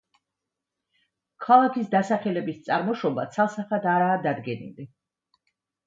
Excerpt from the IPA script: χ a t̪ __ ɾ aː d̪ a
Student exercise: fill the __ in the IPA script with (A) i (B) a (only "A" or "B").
B